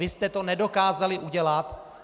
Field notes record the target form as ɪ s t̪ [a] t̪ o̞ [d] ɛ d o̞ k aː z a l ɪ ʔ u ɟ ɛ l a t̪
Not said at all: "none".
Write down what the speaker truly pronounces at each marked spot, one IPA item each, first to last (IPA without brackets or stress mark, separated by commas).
ɛ, n